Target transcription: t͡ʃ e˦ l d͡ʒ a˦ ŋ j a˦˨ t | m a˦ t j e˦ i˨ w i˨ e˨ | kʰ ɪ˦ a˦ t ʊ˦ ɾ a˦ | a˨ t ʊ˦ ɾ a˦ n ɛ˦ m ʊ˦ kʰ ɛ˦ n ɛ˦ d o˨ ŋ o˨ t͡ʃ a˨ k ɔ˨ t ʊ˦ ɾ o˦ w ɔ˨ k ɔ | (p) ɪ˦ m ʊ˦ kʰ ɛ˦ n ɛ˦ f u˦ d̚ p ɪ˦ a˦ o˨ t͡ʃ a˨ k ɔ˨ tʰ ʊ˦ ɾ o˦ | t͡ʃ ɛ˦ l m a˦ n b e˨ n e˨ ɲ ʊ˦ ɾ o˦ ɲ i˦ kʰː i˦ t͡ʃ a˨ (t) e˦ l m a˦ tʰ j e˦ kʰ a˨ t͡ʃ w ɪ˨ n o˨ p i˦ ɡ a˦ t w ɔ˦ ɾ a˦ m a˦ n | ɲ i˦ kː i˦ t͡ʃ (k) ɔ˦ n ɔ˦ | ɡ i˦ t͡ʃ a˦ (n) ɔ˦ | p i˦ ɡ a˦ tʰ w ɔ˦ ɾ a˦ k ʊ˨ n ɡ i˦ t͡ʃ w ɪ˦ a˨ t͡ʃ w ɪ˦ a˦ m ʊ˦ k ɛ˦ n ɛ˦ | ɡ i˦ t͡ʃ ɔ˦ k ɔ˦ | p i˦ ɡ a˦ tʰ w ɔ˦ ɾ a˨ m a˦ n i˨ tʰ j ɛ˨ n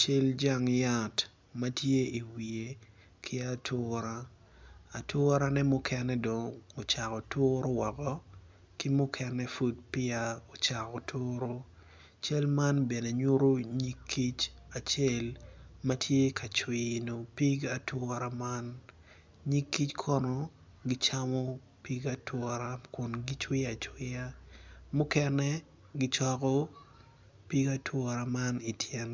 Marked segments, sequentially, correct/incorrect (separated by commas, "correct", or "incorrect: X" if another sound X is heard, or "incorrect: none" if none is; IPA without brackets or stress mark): incorrect: k, incorrect: t͡ʃ, incorrect: kʰ, incorrect: m